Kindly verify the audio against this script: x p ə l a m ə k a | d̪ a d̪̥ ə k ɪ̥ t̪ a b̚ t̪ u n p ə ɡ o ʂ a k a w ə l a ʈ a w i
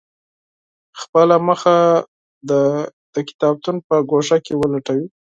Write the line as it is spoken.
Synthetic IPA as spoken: x p ə l a m ə x a | d̪ ə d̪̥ ə k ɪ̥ t̪ ɑ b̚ t̪ u n p ə ɡ o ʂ a k e w ə l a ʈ a w i